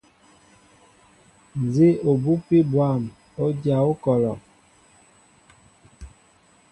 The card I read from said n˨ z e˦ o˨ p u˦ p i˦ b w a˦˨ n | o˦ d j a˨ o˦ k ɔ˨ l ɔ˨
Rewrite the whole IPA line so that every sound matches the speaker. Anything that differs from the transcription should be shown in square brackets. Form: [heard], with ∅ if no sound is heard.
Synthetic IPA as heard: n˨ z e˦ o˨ [b] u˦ p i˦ b w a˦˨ [m] | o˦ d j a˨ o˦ k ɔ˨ l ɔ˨